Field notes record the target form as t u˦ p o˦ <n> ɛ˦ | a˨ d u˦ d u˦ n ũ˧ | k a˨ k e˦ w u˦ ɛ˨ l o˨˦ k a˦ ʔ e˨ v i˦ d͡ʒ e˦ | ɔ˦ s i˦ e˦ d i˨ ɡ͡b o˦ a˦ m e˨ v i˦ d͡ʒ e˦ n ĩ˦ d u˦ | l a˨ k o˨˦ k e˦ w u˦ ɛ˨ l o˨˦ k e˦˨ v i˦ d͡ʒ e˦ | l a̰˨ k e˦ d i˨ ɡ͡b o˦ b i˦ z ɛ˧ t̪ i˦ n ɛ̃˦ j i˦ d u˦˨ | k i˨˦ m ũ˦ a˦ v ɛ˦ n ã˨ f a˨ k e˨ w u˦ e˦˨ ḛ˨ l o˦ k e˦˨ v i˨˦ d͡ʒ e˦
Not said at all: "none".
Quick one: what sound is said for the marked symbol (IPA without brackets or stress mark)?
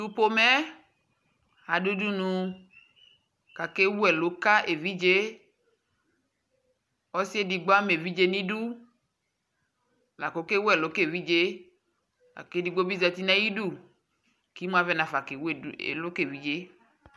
m